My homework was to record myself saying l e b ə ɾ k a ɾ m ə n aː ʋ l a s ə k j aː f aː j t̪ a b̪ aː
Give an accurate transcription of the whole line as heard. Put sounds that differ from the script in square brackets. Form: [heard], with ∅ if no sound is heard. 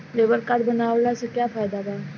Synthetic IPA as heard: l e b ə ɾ k a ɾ [b] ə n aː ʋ l a s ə k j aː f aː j [d̪] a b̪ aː